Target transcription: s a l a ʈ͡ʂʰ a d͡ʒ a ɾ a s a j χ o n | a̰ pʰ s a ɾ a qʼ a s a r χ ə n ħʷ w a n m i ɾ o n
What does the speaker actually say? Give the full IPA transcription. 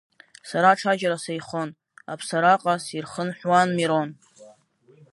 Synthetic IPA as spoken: s a ɾ a ʈ͡ʂʰ a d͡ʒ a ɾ a s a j χ o n | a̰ pʰ s a ɾ a qʼ a s i r χ ə n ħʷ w a n m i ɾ o n